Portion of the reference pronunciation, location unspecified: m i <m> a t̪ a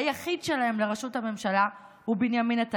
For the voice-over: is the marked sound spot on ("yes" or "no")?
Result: no